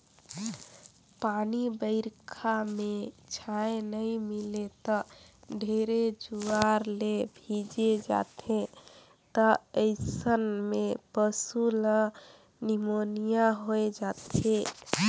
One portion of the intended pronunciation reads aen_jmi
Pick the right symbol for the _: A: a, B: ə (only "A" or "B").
B